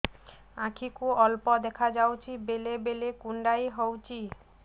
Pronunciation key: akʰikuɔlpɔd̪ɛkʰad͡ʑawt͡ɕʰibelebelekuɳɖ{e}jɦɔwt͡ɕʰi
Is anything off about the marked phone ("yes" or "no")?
yes